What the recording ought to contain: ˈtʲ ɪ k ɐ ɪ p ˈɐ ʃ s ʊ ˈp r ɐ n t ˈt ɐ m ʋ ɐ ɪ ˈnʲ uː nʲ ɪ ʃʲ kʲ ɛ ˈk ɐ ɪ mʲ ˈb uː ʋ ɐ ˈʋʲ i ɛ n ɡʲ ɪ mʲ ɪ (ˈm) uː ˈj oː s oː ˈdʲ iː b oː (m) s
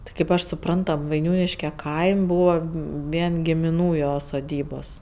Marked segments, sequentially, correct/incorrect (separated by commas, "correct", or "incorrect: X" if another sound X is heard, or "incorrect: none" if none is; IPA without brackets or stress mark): incorrect: n, incorrect: none